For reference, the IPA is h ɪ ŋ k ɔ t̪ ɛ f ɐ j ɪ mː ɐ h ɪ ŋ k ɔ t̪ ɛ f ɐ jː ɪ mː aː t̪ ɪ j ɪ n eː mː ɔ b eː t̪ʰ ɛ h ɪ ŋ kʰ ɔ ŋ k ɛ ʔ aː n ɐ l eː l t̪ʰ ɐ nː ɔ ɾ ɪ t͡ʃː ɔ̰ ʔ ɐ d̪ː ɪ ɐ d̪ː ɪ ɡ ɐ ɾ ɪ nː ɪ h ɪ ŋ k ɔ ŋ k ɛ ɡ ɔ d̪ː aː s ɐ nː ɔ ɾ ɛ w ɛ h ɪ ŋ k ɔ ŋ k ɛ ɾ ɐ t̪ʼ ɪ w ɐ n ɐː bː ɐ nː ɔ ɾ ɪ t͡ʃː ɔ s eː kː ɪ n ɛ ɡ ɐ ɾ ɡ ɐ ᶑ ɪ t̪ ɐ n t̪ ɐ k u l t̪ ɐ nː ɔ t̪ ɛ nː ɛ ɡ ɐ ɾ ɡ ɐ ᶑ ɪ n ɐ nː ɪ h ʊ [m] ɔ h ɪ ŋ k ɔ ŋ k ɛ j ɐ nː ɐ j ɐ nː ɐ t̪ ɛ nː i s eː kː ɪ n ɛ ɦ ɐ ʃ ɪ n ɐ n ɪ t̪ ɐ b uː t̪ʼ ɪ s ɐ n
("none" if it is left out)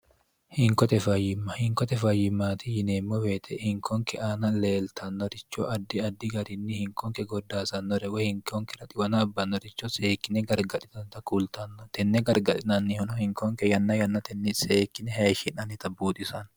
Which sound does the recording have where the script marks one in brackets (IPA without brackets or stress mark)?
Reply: n